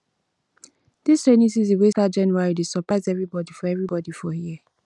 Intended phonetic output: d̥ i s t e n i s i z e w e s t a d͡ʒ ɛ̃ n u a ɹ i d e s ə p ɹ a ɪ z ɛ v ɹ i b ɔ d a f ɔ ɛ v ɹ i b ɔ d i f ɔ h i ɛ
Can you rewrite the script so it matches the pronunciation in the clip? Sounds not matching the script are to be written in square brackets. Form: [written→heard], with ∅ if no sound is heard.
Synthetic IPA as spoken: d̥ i s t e n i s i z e w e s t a d͡ʒ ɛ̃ n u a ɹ i d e s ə p ɹ a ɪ z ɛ v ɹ i b ɔ d [a→i] f ɔ ɛ v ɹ i b ɔ d i f ɔ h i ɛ

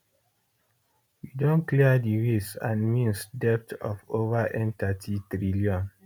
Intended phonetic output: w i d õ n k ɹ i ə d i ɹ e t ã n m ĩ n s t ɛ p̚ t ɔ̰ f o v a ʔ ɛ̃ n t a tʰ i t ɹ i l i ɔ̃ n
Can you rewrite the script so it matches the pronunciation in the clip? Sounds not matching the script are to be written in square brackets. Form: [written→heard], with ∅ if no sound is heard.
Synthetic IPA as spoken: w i d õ n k [ɹ→l] i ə d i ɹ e [t→s] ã n m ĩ n s [t→d] ɛ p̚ t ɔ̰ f o v a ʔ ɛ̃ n t a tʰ i t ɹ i l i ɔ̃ n

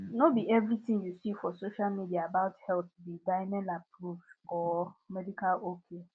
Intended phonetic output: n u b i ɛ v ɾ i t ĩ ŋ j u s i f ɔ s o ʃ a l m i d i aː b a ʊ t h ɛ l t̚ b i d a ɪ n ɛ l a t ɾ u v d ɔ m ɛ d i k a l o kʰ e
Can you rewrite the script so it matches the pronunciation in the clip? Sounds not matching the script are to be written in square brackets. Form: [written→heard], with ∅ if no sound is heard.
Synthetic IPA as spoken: n [u→o] b i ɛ v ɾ i t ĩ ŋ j u s i f ɔ s o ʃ a l m i d i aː b a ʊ t h ɛ l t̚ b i d a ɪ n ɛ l a [t→p] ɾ u v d ɔ m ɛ d i k a l o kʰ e

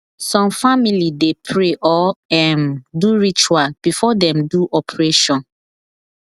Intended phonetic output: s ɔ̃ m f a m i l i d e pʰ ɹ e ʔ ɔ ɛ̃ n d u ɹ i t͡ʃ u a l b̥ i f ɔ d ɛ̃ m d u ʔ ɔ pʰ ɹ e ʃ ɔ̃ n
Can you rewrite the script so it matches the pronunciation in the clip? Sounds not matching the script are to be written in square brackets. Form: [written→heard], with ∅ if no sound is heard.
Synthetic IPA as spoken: s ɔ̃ m f a m i l i d e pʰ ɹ e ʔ ɔ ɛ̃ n d u ɹ i t͡ʃ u a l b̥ i f ɔ d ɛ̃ m d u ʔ ɔ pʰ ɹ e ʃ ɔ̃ n

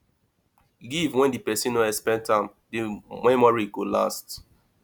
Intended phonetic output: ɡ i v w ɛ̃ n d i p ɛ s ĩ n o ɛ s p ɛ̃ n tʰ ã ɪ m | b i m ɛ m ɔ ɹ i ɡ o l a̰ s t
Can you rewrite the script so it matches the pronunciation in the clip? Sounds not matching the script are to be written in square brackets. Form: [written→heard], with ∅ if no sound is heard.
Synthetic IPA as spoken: ɡ i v w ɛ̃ n d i p ɛ s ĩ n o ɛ s p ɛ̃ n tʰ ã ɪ m | [b→d] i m ɛ m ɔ ɹ i ɡ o l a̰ s t

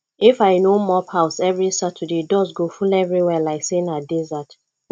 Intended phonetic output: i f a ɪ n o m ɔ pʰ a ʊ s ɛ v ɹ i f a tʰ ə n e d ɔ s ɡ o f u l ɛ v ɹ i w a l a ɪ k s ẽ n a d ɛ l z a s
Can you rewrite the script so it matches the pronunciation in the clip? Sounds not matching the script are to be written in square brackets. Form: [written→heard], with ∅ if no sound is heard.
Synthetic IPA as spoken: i f a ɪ n o m ɔ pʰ a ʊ s ɛ v ɹ i [f→s] a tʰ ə [n→d] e d ɔ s ɡ o f u l ɛ v ɹ i w [a→ɛ] l a ɪ k s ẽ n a d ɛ [l→∅] z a [s→t]

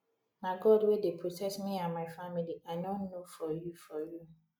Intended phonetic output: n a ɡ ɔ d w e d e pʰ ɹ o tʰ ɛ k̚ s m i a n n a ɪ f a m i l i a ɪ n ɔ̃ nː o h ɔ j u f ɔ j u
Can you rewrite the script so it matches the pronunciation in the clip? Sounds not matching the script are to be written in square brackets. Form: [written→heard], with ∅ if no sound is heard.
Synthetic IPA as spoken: n a ɡ ɔ d w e d e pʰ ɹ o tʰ ɛ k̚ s m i a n [n→m] a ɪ f a m i l i a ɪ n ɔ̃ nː o [h→f] ɔ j u f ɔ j u

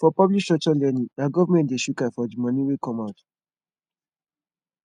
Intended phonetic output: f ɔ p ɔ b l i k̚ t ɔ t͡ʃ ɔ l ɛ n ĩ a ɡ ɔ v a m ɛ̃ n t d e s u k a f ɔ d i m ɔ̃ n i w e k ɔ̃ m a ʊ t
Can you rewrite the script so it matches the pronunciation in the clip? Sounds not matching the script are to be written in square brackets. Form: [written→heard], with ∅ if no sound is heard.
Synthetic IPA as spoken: f ɔ p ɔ b l i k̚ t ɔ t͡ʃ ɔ l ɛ n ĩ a ɡ ɔ v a m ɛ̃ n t d e [s→ʃ] u k a f ɔ d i m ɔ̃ n i w e k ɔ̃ m a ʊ t

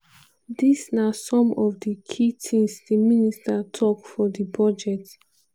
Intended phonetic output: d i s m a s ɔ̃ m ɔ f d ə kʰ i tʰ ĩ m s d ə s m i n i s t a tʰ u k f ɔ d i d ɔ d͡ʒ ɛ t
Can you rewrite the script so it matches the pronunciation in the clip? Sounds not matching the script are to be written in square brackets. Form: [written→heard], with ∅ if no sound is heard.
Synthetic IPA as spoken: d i s [m→n] a s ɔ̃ m ɔ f d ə kʰ i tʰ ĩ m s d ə [s→∅] m i n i s t a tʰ [u→ɔ] k f ɔ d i [d→b] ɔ d͡ʒ ɛ t

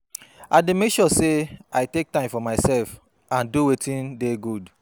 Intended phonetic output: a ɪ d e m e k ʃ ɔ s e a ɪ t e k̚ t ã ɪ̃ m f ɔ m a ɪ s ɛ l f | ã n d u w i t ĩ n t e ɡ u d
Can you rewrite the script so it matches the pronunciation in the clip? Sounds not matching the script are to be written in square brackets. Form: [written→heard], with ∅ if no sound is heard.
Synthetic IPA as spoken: a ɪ d e m e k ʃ ɔ s e a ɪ t e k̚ t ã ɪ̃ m f ɔ m a ɪ s ɛ l f | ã n d u w [i→e] t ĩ n [t→d] e ɡ u d

